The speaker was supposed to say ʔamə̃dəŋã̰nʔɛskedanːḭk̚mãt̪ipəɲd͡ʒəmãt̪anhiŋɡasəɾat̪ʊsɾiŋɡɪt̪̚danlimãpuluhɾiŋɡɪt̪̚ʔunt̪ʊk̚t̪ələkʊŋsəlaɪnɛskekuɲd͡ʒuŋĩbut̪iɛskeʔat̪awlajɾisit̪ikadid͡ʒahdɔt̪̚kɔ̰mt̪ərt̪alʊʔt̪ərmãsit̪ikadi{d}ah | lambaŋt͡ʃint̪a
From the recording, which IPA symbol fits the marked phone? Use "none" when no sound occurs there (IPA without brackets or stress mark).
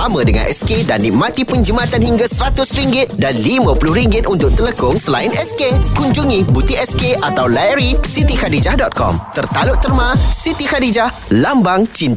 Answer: d͡ʒ